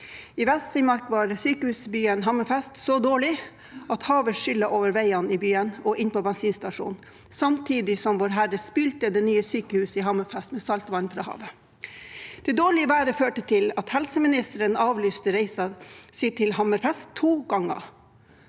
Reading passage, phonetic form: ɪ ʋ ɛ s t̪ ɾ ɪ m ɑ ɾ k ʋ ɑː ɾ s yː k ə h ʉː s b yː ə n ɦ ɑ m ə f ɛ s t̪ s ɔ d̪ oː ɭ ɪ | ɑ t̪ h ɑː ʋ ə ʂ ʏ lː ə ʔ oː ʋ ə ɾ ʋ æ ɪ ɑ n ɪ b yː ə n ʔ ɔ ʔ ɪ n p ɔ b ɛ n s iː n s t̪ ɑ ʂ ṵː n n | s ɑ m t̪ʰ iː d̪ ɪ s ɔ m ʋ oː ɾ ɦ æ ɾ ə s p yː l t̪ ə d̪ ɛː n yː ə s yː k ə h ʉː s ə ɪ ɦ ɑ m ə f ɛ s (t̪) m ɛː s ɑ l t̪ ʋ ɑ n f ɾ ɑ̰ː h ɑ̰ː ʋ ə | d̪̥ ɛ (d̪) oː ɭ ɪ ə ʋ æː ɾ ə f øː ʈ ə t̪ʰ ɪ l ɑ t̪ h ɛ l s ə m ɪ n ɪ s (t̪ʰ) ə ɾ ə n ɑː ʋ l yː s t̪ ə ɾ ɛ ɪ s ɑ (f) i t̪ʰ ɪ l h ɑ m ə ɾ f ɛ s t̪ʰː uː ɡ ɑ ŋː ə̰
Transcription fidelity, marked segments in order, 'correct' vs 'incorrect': correct, correct, incorrect: t̪, incorrect: s

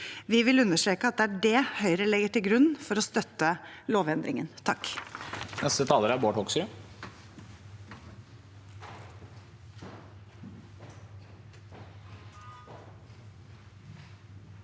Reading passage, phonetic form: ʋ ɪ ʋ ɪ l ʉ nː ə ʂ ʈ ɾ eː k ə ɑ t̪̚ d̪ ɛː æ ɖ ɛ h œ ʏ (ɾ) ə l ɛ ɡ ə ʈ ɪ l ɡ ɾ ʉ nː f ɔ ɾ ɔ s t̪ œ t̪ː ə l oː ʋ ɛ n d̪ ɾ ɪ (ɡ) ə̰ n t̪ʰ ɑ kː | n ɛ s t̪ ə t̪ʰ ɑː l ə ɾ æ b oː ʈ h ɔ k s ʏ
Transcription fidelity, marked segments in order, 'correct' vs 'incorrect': correct, incorrect: ŋ

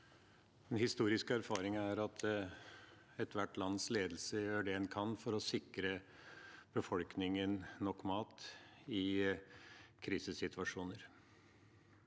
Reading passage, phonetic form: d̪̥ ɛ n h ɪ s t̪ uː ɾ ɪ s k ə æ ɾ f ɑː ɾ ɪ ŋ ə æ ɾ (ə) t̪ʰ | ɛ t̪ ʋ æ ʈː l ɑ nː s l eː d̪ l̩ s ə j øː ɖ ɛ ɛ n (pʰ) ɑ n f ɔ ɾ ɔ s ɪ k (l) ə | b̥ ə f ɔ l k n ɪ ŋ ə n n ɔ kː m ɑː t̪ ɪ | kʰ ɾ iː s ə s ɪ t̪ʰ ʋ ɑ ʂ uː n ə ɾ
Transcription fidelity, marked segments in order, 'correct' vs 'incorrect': incorrect: ɑ, incorrect: kʰ, incorrect: ɾ

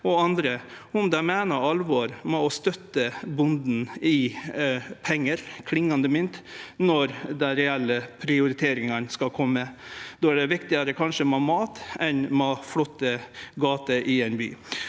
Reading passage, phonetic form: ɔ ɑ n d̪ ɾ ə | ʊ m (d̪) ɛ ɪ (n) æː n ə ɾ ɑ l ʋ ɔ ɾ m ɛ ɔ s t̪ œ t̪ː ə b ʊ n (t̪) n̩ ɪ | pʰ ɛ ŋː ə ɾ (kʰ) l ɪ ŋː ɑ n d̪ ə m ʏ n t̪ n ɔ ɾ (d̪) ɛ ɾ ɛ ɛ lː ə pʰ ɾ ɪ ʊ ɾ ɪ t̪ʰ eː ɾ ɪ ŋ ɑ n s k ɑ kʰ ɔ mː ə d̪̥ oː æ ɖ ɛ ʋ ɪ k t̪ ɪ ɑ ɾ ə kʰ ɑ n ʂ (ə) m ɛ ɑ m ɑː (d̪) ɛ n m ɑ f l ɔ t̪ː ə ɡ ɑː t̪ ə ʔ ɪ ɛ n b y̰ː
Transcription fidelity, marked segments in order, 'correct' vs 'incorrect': correct, incorrect: m, incorrect: d̪, correct, correct, correct, incorrect: t̪

